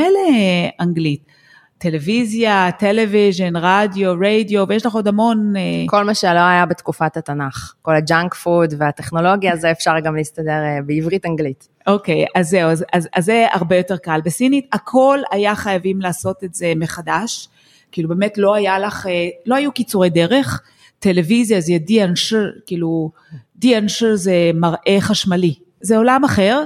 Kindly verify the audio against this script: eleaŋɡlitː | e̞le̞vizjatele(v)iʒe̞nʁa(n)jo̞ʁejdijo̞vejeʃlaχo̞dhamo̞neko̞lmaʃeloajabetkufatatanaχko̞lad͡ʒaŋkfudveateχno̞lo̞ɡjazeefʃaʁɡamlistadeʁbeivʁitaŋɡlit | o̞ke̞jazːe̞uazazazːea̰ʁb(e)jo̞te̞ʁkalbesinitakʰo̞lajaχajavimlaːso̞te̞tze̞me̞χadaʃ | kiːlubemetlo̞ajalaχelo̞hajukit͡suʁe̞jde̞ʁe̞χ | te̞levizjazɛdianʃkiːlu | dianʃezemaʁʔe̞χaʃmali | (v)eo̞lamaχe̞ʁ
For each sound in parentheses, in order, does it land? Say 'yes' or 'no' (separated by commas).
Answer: yes, no, yes, no